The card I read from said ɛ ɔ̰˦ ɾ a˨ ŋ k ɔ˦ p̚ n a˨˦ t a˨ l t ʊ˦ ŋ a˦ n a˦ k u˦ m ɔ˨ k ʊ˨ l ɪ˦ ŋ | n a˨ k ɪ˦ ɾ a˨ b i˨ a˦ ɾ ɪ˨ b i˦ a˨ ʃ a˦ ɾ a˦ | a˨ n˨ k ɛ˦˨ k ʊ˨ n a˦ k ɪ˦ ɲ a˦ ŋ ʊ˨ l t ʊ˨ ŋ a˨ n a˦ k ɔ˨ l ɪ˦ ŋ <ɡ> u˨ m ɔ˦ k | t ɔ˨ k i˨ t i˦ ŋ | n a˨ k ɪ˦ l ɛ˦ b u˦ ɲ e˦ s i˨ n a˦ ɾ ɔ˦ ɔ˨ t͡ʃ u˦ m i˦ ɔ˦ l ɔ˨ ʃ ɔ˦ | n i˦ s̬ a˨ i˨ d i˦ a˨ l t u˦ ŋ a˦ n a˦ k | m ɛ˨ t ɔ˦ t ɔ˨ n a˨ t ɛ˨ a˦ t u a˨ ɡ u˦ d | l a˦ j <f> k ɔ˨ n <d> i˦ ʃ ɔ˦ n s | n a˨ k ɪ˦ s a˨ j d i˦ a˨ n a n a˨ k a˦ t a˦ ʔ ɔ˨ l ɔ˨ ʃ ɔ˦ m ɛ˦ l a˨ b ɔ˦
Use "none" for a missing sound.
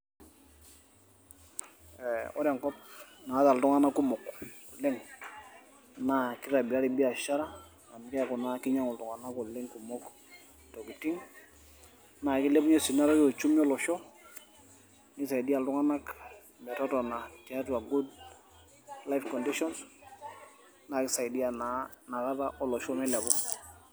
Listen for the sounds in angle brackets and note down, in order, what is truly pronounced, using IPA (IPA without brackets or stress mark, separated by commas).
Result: k, f, d